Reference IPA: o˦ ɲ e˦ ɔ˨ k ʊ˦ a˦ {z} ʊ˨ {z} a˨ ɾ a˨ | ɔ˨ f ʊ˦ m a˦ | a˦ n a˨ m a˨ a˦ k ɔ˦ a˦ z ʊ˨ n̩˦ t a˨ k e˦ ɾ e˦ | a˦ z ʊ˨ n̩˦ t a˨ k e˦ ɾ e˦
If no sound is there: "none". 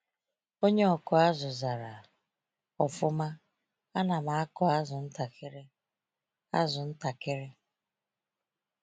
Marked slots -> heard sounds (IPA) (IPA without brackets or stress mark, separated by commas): z, z